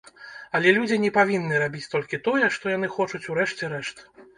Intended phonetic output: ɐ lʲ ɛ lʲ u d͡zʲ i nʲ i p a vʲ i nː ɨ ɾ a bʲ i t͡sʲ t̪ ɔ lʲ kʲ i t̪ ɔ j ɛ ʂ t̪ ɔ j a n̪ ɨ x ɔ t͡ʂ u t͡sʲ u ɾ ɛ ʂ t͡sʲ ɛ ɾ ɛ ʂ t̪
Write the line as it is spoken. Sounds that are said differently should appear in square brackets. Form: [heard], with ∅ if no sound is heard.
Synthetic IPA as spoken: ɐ lʲ ɛ lʲ u d͡zʲ i nʲ [ɛ] p a vʲ i nː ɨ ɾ a bʲ i t͡sʲ t̪ ɔ lʲ kʲ i t̪ ɔ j ɛ ʂ t̪ ɔ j a n̪ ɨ x ɔ t͡ʂ u t͡sʲ u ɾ ɛ ʂ t͡sʲ ɛ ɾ ɛ ʂ t̪